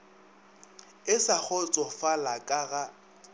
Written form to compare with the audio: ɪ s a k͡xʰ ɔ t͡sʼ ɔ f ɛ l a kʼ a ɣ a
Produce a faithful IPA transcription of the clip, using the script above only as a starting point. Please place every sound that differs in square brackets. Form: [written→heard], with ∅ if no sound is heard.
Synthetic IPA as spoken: ɪ s a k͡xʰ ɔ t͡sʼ ɔ f [ɛ→a] l a kʼ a ɣ a